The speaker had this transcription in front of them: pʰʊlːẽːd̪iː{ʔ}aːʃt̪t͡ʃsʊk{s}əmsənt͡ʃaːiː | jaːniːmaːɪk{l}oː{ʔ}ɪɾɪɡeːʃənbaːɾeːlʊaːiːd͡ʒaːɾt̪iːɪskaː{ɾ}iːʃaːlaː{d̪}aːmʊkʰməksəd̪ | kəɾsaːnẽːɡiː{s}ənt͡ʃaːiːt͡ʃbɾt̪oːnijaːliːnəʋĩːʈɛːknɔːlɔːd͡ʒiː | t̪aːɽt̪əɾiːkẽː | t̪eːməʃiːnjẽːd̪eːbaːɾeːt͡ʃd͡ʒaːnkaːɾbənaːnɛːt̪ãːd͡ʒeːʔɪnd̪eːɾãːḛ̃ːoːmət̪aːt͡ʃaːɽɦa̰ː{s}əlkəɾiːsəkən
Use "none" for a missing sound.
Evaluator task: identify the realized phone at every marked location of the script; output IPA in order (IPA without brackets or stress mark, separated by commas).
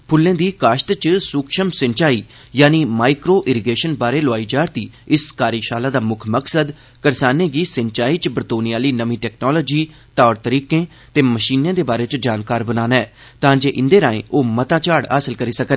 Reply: k, ʃ, ɾ, ʔ, ɾ, d̪, s, s